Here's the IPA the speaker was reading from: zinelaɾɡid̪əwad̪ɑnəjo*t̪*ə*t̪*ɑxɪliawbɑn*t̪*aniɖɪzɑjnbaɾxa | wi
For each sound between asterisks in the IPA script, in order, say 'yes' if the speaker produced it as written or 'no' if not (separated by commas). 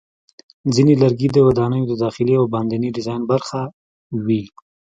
no, no, no